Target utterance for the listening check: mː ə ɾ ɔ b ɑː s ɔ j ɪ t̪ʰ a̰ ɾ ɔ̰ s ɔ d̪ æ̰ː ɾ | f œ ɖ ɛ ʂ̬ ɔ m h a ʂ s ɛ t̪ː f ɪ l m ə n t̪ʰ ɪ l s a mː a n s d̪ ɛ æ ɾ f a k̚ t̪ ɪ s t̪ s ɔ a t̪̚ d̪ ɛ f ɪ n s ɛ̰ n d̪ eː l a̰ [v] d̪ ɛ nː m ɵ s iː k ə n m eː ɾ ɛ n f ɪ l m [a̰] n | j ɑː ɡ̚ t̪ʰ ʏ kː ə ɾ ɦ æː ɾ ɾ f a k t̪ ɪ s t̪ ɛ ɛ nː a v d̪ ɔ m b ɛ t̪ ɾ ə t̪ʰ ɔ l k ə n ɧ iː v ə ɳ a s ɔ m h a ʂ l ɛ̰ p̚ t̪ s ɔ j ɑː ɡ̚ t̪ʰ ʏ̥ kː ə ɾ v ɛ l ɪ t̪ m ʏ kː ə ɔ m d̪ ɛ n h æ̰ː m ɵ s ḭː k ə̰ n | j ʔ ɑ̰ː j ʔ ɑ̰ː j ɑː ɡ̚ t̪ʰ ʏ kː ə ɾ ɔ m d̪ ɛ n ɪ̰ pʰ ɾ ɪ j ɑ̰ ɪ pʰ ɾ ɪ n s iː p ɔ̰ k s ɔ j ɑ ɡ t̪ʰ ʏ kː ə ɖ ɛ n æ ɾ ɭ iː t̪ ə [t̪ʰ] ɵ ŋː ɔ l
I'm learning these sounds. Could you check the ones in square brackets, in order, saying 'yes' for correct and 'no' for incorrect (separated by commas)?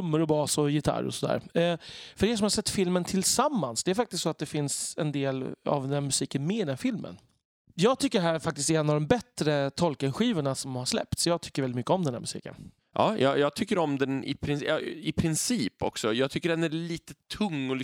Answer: yes, no, yes